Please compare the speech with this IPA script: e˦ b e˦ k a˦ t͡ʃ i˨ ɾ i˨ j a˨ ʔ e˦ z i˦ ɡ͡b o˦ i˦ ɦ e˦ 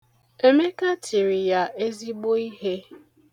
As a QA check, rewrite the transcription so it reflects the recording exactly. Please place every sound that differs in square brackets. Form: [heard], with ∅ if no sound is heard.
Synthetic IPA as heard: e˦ [m] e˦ k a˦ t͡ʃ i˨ ɾ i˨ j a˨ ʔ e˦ z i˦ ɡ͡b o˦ i˦ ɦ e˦